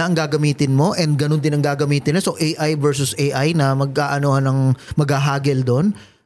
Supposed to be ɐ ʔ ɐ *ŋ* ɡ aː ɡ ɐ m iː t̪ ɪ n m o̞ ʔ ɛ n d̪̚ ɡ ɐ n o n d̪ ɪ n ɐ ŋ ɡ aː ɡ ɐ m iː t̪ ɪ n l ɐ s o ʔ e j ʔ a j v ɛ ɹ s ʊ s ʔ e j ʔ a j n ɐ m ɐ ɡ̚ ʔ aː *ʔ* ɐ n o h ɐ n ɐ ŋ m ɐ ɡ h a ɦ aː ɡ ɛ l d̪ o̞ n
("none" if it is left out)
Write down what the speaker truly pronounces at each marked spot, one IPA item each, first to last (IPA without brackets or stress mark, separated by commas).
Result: ŋ, ʔ